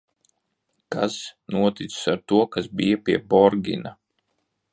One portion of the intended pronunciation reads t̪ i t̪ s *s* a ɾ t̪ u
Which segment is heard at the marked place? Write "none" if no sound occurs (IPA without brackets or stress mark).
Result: s